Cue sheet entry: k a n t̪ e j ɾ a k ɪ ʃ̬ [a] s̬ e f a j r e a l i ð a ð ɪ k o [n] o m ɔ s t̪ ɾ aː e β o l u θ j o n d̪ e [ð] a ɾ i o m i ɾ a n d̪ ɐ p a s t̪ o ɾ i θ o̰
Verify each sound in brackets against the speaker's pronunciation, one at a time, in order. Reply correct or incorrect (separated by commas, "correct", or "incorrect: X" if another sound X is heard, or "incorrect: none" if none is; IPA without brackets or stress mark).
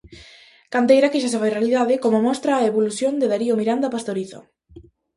correct, incorrect: m, correct